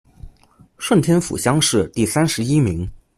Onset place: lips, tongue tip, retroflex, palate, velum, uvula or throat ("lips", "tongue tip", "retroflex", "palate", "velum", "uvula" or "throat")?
retroflex